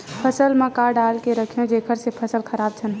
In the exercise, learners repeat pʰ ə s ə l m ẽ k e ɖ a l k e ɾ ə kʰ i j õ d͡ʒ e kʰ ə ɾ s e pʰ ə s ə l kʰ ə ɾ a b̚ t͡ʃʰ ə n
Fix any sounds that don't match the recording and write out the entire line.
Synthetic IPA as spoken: pʰ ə s ə l m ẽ k a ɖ a l k e ɾ ə kʰ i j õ d͡ʒ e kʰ ə ɾ s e pʰ ə s ə l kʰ ə ɾ a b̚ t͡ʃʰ ə n